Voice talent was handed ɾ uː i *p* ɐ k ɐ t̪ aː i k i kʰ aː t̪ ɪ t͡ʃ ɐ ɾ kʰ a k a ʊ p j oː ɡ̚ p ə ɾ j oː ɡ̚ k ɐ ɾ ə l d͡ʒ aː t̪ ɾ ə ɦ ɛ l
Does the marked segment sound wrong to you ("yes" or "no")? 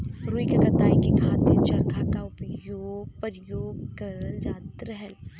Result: yes